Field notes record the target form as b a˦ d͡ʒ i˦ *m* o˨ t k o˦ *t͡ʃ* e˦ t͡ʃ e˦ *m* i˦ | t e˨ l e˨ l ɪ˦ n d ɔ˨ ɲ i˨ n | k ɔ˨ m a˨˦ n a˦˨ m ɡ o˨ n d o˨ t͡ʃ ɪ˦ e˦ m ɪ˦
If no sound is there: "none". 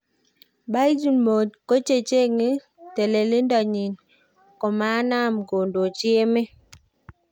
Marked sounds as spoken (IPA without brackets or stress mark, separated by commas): m, t͡ʃ, ŋ